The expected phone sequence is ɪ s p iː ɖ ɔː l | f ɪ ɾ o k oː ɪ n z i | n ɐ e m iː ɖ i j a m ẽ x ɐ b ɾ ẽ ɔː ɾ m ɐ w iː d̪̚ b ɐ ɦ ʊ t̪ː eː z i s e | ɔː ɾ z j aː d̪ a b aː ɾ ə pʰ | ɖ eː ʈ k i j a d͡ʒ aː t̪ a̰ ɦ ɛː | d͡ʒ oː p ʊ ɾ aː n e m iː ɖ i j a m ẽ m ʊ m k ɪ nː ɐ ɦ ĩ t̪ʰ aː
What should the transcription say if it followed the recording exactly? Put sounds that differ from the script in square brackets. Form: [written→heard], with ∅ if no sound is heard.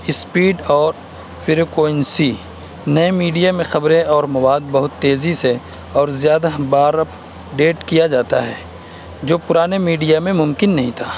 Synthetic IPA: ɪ s p iː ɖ ɔː [l→ɾ] | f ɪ ɾ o k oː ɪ n [z→s] i | n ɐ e m iː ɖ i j a m ẽ x ɐ b ɾ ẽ ɔː ɾ m ɐ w [iː→aː] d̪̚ b ɐ ɦ ʊ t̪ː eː z i s e | ɔː ɾ z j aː d̪ a b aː ɾ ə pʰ | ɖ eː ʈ k i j a d͡ʒ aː t̪ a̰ ɦ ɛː | d͡ʒ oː p ʊ ɾ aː n e m iː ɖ i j a m ẽ m ʊ m k ɪ nː ɐ ɦ ĩ t̪ʰ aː